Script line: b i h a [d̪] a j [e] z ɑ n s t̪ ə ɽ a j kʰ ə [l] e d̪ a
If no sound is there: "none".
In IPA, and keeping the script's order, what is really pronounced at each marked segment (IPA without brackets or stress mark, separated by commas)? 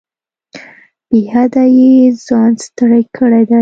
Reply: d̪, e, ɽ